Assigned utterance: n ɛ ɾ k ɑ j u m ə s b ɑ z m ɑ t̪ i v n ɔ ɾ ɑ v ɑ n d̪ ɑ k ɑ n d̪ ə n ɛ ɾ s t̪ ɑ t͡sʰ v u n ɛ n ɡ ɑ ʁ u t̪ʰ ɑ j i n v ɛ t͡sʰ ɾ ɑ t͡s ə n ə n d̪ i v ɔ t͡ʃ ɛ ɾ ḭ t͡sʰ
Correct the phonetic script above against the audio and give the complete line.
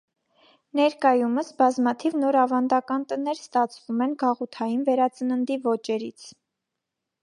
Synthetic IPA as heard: n ɛ ɾ k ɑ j u m ə s b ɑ z m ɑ t̪ʰ i v n ɔ ɾ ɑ v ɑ n d̪ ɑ k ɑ n t̪ ə n ɛ ɾ s t̪ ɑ t͡sʰ v u m ɛ n ɡ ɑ ʁ u t̪ʰ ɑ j i n v ɛ ɾ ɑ t͡s ə n ə n d̪ i v ɔ t͡ʃ ɛ ɾ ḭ t͡sʰ